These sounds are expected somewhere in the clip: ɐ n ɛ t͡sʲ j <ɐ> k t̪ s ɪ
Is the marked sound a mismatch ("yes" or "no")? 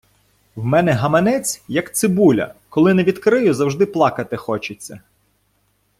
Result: no